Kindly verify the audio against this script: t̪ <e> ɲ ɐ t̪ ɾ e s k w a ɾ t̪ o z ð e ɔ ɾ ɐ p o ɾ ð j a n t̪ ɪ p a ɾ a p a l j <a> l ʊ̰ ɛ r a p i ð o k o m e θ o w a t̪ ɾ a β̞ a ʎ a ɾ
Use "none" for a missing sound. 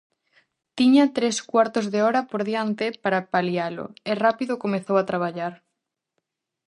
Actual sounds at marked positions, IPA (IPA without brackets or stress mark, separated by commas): i, a